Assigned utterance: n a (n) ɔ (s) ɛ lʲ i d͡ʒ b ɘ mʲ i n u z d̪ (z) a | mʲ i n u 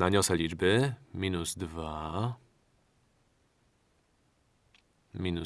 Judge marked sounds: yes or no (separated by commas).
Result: no, yes, no